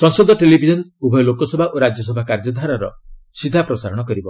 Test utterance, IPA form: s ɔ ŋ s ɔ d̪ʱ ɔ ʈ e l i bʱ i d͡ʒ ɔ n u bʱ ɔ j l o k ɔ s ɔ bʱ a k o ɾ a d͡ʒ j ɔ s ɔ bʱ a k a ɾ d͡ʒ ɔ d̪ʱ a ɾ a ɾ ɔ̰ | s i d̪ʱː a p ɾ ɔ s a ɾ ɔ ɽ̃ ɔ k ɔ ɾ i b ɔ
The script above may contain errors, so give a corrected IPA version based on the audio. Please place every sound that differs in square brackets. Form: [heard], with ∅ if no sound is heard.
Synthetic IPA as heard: s ɔ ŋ s ɔ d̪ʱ ɔ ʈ e l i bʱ i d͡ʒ ɔ n u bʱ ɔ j l o k ɔ s ɔ bʱ a [ʔ] o ɾ a d͡ʒ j ɔ s ɔ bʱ a k a ɾ d͡ʒ ɔ d̪ʱ a ɾ a ɾ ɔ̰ | s i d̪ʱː a p ɾ ɔ s a ɾ ɔ ɽ̃ ɔ k ɔ ɾ i b ɔ